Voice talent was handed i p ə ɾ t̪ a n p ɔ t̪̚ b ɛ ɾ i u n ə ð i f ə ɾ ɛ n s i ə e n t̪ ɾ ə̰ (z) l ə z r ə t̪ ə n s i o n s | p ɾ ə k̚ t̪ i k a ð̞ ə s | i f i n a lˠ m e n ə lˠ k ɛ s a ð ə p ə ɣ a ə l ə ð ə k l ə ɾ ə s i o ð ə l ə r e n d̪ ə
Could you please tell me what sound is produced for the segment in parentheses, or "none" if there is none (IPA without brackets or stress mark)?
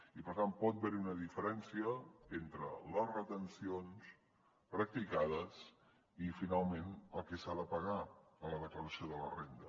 none